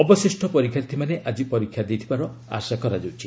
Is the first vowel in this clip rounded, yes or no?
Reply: yes